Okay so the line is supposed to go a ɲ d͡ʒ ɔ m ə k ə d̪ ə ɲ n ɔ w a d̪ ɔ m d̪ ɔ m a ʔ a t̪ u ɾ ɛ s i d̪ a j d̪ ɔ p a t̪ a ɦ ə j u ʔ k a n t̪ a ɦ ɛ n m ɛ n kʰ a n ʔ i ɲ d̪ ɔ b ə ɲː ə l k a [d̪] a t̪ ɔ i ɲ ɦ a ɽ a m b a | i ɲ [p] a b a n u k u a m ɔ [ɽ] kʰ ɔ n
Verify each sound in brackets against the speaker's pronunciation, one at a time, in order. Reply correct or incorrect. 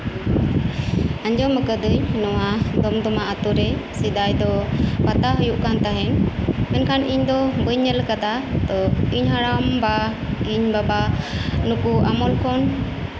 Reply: correct, incorrect, incorrect

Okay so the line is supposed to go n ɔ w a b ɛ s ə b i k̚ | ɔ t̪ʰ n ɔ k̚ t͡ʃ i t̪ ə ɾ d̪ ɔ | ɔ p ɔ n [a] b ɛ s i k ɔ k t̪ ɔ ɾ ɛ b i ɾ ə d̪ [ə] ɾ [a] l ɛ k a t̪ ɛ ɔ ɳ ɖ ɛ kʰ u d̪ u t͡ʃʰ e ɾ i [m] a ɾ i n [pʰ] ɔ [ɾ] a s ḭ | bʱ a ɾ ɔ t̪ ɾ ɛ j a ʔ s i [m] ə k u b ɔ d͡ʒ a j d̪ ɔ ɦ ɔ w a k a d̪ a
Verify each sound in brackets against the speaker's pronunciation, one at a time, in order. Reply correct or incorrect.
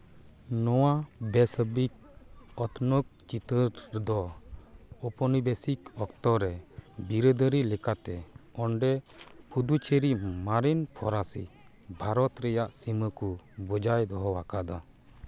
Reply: incorrect, correct, incorrect, correct, correct, correct, correct

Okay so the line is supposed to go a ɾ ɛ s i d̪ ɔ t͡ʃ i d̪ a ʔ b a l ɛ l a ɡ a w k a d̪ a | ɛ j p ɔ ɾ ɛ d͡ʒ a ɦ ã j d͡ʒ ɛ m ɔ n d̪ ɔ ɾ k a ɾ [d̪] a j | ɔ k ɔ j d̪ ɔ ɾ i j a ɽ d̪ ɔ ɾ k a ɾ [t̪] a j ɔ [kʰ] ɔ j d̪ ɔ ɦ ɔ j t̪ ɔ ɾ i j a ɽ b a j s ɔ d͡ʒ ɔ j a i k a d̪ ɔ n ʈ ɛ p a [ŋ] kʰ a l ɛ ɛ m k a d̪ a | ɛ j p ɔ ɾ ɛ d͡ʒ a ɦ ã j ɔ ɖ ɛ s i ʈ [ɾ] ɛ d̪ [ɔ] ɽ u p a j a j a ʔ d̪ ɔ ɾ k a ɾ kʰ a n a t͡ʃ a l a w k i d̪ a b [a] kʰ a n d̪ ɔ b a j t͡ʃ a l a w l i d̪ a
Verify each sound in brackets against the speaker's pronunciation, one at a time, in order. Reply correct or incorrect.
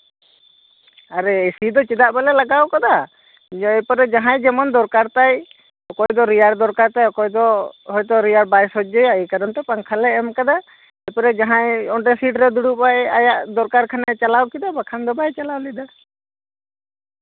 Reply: incorrect, correct, incorrect, correct, correct, incorrect, correct

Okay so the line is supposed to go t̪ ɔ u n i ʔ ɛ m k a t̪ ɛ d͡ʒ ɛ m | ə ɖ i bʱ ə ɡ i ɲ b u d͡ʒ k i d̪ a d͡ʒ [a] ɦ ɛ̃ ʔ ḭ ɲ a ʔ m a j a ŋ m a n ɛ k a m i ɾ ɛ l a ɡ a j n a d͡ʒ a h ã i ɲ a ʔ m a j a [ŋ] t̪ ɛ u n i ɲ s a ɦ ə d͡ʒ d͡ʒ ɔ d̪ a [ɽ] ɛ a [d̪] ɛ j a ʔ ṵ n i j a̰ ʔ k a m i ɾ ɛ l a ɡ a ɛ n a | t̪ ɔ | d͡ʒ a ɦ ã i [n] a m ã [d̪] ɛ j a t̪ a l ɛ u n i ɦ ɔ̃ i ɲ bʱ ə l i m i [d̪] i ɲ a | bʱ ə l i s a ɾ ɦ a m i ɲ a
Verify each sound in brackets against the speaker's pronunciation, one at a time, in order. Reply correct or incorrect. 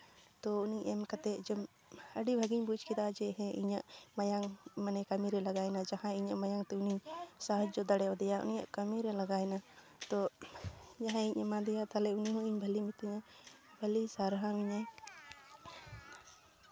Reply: incorrect, correct, correct, correct, incorrect, correct, incorrect

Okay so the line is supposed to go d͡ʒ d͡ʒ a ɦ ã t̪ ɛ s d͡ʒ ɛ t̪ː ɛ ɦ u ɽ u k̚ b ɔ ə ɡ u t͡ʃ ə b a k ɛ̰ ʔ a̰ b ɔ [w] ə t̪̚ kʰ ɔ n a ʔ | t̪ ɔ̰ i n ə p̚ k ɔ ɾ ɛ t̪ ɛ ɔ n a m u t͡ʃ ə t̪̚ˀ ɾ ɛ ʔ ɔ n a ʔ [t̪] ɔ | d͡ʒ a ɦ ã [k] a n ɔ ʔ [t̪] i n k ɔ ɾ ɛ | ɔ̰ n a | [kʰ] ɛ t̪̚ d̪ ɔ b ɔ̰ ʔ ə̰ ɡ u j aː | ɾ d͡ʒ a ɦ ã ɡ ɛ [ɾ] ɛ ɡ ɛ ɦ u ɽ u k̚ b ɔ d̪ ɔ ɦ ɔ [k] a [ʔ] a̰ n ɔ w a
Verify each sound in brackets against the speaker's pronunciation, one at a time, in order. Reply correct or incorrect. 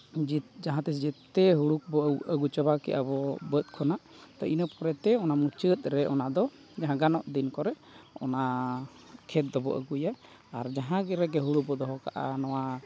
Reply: incorrect, incorrect, incorrect, incorrect, correct, correct, correct, correct

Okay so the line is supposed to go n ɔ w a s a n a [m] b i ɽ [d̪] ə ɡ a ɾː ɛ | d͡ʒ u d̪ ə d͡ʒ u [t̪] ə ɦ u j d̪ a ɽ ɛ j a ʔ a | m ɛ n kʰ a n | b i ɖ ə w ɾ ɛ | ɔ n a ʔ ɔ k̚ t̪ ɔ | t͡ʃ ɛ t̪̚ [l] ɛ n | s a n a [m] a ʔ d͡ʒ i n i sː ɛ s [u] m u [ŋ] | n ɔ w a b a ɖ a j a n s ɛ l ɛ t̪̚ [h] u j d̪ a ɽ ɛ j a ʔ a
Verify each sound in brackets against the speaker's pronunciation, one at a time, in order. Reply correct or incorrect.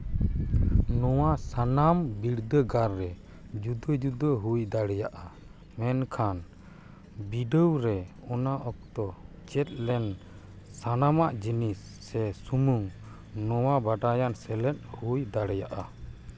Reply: correct, correct, incorrect, correct, correct, correct, correct, correct

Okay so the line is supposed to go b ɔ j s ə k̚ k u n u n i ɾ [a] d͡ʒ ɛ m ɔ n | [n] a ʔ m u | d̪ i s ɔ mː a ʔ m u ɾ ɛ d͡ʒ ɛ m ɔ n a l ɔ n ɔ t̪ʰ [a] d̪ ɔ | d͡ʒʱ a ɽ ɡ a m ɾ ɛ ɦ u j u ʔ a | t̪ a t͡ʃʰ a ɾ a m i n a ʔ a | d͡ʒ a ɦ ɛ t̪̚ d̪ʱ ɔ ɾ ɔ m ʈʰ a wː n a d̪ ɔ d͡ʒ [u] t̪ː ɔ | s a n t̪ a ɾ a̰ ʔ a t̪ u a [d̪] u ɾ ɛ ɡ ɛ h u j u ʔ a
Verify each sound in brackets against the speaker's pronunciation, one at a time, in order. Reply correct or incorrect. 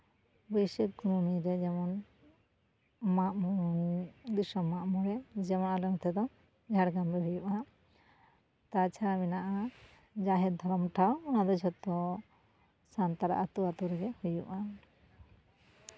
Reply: incorrect, incorrect, incorrect, incorrect, incorrect

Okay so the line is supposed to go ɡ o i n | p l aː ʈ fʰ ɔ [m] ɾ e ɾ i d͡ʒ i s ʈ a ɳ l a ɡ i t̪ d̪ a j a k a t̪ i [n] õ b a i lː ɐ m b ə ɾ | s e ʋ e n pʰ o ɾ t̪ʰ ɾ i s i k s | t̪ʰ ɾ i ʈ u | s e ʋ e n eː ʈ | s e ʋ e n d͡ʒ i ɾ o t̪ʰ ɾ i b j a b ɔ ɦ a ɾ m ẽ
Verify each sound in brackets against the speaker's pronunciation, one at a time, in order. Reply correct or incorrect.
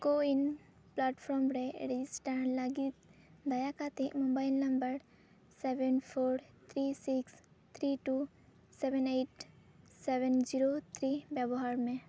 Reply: correct, incorrect

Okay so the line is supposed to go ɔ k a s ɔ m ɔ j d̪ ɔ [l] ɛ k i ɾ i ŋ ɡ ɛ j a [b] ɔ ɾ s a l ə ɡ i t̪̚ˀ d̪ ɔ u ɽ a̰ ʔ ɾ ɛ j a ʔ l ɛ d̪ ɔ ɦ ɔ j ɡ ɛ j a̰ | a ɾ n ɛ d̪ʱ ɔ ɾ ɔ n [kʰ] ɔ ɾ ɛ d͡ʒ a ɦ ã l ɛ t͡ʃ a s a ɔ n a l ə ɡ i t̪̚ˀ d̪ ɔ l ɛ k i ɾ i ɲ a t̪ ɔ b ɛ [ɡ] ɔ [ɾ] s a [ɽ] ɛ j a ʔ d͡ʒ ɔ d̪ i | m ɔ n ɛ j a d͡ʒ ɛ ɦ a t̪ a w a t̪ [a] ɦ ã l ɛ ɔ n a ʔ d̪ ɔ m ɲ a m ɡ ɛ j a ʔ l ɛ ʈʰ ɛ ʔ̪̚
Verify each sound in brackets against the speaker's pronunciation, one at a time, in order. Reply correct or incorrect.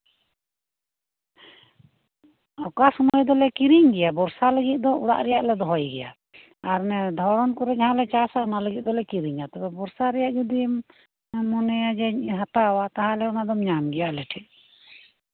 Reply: correct, correct, incorrect, incorrect, correct, incorrect, correct

